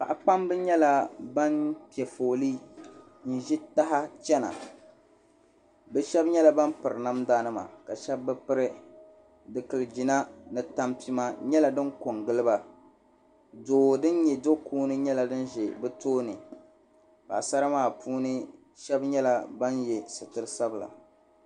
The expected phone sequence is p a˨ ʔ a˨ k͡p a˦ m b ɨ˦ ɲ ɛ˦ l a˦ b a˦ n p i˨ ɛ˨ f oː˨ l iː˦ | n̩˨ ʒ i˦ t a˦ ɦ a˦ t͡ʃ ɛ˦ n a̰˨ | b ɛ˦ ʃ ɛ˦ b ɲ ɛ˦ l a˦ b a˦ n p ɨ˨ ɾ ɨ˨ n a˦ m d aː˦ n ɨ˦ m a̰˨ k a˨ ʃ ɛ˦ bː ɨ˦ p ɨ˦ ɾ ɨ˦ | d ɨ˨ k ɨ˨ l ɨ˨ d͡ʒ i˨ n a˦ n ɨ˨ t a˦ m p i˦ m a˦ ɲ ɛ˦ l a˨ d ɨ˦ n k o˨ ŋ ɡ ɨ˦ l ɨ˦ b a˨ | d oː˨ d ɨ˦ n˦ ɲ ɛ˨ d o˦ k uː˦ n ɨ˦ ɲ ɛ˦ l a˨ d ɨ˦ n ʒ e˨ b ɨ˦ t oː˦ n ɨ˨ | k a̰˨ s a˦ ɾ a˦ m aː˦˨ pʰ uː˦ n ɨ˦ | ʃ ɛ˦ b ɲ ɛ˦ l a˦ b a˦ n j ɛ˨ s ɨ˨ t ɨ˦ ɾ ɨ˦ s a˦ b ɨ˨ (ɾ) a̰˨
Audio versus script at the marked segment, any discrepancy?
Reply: yes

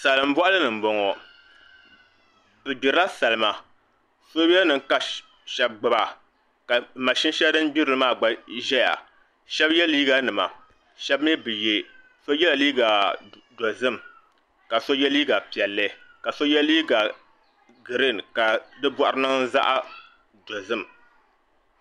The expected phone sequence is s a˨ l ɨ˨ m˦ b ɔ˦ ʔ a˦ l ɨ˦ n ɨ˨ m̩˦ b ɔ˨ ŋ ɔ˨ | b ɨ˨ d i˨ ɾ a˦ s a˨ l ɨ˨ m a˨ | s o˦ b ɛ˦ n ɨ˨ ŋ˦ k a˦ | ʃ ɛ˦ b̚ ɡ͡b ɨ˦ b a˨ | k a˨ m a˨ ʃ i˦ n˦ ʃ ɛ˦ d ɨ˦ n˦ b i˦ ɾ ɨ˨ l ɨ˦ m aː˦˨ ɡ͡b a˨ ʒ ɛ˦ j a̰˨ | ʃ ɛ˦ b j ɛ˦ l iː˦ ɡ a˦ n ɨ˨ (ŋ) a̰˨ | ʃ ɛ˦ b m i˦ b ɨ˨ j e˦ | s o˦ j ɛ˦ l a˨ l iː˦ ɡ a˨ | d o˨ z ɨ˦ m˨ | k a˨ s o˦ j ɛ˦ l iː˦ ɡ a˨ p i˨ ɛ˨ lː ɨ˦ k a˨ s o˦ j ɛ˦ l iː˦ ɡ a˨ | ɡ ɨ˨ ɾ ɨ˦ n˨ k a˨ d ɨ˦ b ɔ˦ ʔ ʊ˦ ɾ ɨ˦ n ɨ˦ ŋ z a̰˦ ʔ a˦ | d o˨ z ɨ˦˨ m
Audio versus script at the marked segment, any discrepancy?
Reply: yes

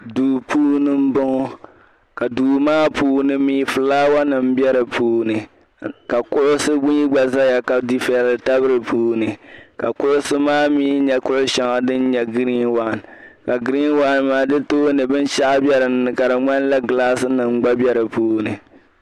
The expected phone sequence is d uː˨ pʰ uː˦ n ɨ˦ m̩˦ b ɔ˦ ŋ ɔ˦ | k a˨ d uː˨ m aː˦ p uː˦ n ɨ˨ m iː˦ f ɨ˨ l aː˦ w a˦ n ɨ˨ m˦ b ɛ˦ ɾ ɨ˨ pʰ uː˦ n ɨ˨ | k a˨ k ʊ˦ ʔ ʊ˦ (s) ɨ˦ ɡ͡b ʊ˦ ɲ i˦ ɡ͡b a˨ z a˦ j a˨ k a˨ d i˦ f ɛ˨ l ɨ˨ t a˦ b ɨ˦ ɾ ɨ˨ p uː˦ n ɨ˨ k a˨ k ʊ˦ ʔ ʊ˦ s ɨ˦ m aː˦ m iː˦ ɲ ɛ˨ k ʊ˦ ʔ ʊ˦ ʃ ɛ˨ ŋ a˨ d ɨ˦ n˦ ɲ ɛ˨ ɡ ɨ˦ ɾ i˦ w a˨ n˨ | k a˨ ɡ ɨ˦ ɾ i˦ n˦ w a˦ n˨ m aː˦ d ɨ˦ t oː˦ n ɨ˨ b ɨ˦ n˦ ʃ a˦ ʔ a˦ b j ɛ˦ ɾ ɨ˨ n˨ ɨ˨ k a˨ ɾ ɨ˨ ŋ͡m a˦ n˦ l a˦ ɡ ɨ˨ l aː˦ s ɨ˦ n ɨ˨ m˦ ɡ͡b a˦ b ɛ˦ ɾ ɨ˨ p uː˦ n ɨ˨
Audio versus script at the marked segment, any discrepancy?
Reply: no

